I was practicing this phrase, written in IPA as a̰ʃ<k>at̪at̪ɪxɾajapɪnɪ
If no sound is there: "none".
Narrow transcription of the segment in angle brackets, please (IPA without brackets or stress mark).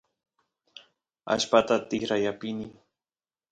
p